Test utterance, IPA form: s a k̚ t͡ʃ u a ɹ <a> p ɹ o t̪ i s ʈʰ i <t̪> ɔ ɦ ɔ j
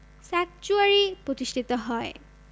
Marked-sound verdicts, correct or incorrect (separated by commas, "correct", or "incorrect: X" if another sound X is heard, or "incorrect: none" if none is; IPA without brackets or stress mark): incorrect: i, correct